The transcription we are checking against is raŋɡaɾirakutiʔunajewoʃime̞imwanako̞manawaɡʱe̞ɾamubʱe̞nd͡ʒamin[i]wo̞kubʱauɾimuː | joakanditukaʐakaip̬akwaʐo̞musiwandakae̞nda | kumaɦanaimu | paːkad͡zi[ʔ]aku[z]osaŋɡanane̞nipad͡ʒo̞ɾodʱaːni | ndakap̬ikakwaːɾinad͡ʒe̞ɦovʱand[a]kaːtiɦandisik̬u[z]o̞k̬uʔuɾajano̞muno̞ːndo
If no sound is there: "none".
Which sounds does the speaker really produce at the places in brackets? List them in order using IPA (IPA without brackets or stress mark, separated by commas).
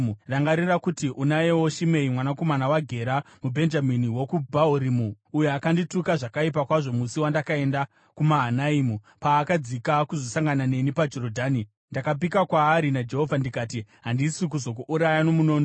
i, k, z, i, z